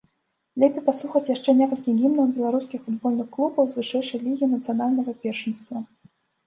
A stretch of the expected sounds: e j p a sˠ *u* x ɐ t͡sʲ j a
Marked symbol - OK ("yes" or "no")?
yes